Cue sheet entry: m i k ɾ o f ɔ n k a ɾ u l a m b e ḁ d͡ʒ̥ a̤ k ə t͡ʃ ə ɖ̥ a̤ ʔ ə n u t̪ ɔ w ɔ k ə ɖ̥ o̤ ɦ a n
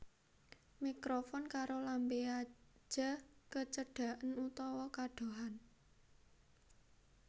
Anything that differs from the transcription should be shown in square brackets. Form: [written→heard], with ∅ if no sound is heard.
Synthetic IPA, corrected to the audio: m i k ɾ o f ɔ n k a ɾ [u→o] l a m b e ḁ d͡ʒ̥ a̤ k ə t͡ʃ ə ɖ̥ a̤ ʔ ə n u t̪ ɔ w ɔ k [ə→a] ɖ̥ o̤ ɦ a n